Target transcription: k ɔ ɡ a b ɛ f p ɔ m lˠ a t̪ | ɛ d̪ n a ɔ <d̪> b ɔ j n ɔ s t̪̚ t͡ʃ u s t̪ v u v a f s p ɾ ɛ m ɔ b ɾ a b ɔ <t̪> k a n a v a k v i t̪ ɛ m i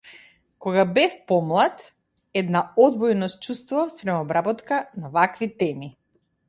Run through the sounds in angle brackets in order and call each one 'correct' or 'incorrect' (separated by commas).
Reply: correct, correct